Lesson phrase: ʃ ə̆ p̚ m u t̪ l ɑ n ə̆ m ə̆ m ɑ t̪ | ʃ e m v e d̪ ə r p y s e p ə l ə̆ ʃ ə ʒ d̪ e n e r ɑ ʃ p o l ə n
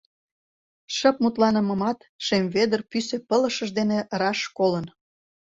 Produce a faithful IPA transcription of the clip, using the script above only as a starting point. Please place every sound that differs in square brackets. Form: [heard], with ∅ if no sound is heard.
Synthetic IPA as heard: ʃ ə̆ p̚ m u t̪ l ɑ n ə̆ m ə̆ m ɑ t̪ | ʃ e m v e d̪ ə r p y s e p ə l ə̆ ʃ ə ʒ d̪ e n e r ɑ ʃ [k] o l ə n